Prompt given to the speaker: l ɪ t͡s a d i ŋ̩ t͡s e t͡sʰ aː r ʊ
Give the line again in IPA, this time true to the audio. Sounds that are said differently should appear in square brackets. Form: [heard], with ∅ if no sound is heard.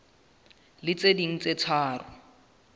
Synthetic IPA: l ɪ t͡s [e] d i ŋ̩ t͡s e t͡sʰ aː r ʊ